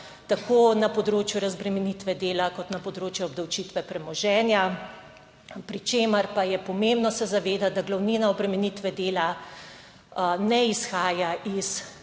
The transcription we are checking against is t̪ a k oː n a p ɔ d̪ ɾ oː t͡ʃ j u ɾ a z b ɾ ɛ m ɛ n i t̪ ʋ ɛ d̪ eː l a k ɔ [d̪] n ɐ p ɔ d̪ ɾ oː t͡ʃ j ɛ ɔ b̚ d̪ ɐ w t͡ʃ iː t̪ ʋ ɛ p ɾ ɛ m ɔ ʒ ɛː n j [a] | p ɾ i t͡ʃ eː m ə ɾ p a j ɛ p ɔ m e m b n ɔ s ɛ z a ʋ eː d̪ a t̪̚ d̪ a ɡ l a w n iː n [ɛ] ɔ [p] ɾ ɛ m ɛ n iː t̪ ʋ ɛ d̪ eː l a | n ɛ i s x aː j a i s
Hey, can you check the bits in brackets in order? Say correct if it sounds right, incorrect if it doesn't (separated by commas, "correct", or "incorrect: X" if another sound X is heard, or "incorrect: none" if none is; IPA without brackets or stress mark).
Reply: incorrect: t̪, correct, incorrect: a, incorrect: b